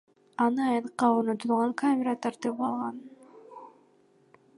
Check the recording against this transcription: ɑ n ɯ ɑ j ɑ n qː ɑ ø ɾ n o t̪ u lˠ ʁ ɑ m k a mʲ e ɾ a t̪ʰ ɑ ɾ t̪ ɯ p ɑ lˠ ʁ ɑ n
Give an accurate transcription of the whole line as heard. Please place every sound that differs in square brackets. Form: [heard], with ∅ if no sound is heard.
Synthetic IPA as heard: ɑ n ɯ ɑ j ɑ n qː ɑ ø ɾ n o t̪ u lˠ ʁ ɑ [ŋ] k a mʲ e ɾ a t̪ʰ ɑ ɾ t̪ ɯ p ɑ lˠ ʁ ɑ n